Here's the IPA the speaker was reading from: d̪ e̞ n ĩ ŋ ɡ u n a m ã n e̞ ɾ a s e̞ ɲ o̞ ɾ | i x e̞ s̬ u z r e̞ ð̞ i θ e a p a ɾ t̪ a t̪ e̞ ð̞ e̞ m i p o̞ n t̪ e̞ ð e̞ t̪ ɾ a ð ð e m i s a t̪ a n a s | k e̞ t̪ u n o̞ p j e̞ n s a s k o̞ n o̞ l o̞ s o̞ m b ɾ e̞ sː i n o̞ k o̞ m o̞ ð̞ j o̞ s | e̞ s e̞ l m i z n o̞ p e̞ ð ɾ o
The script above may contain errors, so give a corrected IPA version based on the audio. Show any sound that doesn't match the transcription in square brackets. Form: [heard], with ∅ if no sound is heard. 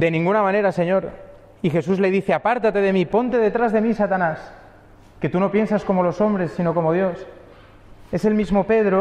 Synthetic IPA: d̪ e̞ n ĩ ŋ ɡ u n a m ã n e̞ ɾ a s e̞ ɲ o̞ ɾ | i x e̞ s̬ u z [l] e̞ ð̞ i θ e a p a ɾ t̪ a t̪ e̞ ð̞ e̞ m i p o̞ n t̪ e̞ ð e̞ t̪ ɾ a [z] ð e m i s a t̪ a n a s | k e̞ t̪ u n o̞ p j e̞ n s a s k o̞ [m] o̞ l o̞ s o̞ m b ɾ e̞ sː i n o̞ k o̞ m o̞ ð̞ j o̞ s | e̞ s e̞ l m i z [m] o̞ p e̞ ð ɾ o